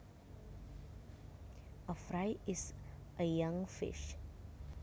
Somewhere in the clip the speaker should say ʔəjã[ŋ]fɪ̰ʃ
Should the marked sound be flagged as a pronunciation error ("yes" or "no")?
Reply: no